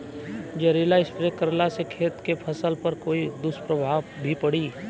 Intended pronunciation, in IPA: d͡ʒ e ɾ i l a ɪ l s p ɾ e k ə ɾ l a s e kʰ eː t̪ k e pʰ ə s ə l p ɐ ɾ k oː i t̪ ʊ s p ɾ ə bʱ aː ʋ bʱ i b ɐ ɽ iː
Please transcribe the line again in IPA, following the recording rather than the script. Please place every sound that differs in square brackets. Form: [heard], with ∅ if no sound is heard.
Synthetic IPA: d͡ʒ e ɾ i l a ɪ [∅] s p ɾ e k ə ɾ l a s e kʰ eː t̪ k e pʰ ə s ə l p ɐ ɾ k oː i [d̪] ʊ s p ɾ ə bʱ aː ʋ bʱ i [p] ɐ ɽ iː